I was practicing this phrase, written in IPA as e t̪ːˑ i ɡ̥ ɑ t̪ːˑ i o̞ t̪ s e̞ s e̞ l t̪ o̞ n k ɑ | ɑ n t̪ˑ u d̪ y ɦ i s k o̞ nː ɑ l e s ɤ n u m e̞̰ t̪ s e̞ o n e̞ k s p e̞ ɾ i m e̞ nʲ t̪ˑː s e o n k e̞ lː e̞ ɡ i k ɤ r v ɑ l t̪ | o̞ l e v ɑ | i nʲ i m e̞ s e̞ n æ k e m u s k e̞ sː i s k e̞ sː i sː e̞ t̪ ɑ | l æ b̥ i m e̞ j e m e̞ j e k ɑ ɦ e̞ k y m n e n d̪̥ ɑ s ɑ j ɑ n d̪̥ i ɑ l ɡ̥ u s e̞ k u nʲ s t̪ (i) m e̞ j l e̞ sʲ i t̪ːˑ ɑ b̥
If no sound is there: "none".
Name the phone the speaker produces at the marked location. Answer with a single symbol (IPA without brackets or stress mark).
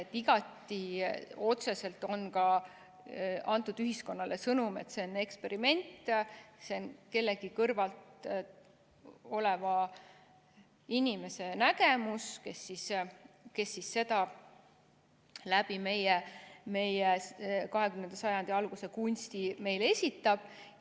i